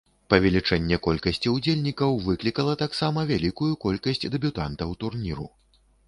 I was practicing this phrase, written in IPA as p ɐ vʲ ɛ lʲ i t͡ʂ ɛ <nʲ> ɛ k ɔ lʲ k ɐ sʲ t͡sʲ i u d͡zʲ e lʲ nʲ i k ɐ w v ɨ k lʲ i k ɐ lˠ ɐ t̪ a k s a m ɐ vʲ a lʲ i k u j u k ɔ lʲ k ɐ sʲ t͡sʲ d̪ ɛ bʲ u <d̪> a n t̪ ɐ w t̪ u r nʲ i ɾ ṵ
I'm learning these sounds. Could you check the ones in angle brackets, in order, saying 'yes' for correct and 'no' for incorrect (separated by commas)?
no, no